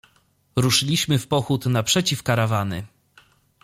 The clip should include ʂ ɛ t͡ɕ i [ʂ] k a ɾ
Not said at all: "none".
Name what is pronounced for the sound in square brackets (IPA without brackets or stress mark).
f